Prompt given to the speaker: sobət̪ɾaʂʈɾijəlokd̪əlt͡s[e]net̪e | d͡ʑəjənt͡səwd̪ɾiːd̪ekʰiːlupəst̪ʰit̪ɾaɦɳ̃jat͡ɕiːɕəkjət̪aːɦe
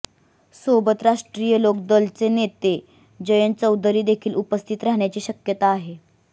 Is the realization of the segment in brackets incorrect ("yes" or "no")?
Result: no